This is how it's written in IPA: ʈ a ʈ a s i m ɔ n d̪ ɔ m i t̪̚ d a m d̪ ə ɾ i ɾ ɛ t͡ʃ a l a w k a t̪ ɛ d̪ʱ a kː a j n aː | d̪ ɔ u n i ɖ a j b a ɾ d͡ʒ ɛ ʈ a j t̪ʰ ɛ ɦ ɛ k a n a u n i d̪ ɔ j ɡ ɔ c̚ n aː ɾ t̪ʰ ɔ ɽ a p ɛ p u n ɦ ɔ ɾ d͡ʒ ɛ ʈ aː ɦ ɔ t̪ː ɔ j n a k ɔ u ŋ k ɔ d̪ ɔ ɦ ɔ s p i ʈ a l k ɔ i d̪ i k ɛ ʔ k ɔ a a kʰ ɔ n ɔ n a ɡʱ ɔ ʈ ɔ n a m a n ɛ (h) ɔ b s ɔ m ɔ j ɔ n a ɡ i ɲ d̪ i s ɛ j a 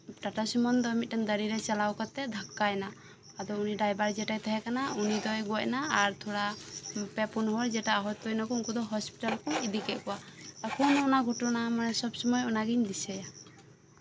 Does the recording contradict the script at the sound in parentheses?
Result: yes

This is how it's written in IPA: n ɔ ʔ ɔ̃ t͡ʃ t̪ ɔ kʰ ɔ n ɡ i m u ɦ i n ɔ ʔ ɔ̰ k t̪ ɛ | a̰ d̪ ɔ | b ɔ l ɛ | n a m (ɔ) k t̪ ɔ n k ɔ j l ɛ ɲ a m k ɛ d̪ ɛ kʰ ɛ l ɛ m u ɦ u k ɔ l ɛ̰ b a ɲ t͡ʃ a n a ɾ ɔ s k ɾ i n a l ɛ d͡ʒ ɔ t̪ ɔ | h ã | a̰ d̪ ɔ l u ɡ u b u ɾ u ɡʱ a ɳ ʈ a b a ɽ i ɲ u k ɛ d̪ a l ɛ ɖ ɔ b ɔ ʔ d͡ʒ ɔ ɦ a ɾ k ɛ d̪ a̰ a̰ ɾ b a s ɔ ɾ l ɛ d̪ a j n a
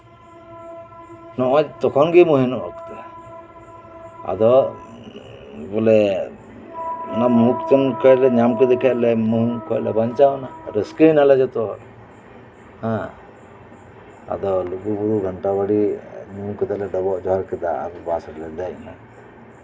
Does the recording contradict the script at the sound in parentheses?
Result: yes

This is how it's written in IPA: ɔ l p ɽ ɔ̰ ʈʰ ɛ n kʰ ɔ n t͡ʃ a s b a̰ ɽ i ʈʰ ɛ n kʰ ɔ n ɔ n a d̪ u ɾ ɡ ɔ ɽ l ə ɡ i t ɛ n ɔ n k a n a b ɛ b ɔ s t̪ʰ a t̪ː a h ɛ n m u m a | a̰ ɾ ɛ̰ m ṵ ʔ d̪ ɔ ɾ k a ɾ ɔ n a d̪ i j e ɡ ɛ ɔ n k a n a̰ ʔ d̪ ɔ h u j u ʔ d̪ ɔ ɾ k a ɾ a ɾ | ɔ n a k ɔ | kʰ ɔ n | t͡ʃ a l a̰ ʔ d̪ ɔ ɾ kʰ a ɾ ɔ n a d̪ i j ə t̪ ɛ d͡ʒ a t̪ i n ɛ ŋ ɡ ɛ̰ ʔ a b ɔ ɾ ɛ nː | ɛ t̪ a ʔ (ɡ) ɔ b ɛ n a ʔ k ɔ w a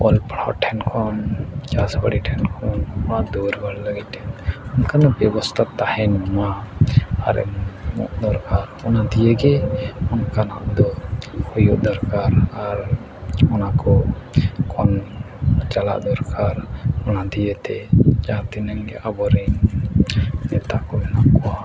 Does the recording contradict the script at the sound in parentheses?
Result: yes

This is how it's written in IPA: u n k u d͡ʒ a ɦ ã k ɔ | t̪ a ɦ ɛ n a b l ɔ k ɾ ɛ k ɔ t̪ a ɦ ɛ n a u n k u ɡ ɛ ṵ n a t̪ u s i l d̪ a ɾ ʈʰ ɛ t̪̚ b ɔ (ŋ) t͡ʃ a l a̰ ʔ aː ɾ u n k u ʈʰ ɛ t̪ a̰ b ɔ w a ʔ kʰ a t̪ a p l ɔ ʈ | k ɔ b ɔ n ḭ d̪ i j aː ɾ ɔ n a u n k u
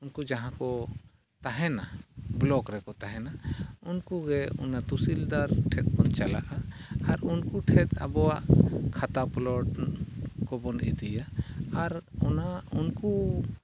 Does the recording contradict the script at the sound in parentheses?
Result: yes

